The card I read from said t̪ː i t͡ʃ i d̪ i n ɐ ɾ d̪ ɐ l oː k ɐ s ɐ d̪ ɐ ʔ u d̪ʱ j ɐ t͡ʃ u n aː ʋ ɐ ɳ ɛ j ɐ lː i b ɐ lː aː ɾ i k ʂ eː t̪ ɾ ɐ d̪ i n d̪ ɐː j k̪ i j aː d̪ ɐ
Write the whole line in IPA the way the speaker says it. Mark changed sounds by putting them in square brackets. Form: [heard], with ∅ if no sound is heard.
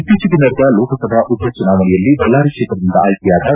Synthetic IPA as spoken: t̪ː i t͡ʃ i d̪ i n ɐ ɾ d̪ ɐ l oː k ɐ s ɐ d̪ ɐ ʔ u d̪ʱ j ɐ t͡ʃ u n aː ʋ ɐ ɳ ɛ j ɐ lː i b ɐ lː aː ɾ i k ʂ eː t̪ ɾ ɐ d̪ i n d̪ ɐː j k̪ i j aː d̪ ɐ